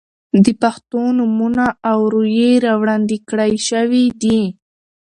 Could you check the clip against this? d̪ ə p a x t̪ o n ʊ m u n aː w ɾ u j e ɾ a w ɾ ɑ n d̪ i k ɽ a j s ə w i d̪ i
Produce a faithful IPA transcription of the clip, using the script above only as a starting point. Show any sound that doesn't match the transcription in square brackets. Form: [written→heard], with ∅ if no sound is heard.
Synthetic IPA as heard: d̪ ə p a x t̪ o n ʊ m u n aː w ɾ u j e ɾ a w [ɾ→ɽ] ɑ n d̪ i k ɽ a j [s→ʃ] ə w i d̪ i

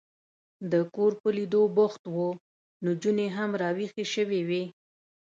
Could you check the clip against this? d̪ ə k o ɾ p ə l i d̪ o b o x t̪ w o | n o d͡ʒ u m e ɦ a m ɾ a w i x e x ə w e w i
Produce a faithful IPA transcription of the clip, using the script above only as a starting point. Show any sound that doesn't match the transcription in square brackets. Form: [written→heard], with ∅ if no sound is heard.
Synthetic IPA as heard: d̪ ə k o ɾ p ə l i d̪ o b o x t̪ w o | n o d͡ʒ u [m→n] e ɦ a m ɾ [a→ɑ] w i x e [x→ʃ] ə w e w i

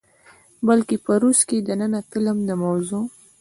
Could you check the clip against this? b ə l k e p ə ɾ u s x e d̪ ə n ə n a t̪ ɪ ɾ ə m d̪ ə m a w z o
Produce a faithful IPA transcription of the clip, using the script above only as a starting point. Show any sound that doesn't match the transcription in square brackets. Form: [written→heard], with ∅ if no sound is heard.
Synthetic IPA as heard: b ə l k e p ə ɾ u s [x→k] e d̪ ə n ə n a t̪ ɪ [ɾ→l] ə m d̪ ə m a w z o

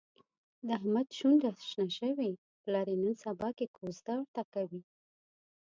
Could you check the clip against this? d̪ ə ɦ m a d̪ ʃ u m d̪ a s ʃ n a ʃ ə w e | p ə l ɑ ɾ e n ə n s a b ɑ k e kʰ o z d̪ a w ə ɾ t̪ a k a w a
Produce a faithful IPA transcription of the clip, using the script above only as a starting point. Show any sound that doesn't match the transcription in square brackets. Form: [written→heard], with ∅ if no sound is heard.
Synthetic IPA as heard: d̪ ə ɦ m a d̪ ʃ u [m→n] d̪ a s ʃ n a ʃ ə w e | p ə l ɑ ɾ e n ə n s a b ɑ k e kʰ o z d̪ a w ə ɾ t̪ a k a w [a→i]

